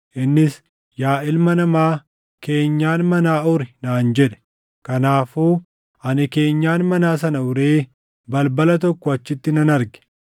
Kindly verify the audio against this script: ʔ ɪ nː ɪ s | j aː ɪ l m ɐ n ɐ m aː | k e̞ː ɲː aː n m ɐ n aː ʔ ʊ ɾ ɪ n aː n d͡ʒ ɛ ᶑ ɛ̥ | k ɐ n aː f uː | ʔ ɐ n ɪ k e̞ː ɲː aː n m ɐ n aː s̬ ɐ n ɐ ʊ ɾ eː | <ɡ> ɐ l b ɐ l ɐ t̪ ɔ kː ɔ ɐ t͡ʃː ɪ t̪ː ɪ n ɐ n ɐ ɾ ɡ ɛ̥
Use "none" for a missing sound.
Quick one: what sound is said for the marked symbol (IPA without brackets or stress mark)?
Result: b